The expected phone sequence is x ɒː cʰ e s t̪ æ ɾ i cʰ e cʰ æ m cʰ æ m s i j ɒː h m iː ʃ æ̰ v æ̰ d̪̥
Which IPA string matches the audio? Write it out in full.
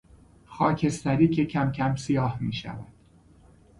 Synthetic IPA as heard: x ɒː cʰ e s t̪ æ ɾ iː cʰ e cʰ æ m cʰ æ m s i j ɒː h m iː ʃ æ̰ v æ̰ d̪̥